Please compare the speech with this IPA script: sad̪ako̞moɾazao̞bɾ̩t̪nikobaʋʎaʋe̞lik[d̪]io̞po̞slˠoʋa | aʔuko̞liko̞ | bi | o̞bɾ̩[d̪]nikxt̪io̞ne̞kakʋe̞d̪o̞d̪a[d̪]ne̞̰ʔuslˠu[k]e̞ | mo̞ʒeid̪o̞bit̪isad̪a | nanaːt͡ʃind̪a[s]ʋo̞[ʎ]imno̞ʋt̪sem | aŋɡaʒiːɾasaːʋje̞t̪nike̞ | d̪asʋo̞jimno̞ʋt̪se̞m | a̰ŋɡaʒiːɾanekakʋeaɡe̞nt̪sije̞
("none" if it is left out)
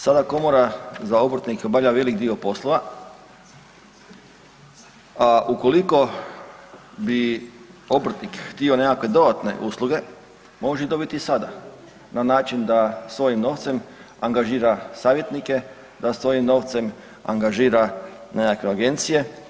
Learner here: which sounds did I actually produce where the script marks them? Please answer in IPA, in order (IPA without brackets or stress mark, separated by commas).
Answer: d̪, t̪, t̪, ɡ, s, j